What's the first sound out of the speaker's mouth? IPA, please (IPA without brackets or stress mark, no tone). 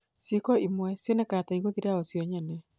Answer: s